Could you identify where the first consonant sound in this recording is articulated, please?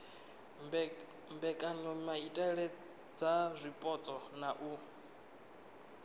labial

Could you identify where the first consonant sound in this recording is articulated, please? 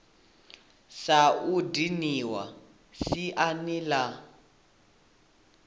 alveolar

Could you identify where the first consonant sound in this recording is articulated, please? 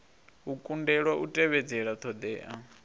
velar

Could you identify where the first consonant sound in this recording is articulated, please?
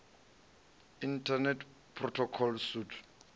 alveolar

